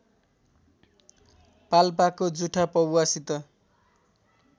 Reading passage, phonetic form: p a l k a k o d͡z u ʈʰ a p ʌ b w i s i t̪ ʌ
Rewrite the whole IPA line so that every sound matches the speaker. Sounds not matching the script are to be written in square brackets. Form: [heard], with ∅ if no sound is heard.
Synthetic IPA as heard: p a l [p] a k o d͡z u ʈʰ a p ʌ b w [a] s i t̪ ʌ